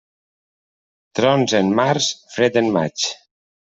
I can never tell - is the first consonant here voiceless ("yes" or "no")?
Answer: yes